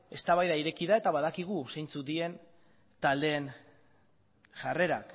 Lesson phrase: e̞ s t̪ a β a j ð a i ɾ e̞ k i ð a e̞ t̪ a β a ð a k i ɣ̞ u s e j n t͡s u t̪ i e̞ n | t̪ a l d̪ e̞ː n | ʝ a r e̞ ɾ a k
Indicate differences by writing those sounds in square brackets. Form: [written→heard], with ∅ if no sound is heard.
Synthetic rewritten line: e̞ s t̪ a β a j ð a i ɾ e̞ k i ð a e̞ t̪ a β a ð a k i ɣ̞ u s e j n t͡s u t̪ i e̞ n | t̪ a l d̪ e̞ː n | ʝ a r e̞ ɾ a k